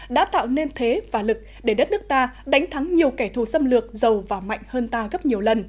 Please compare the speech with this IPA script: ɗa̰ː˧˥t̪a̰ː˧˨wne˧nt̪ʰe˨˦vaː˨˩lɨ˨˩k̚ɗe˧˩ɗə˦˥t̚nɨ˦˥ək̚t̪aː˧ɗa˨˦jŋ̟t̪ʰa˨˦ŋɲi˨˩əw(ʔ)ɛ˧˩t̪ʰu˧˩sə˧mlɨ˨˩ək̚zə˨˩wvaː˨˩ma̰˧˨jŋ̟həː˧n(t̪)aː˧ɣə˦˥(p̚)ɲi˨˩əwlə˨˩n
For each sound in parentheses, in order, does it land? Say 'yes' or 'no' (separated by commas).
no, yes, yes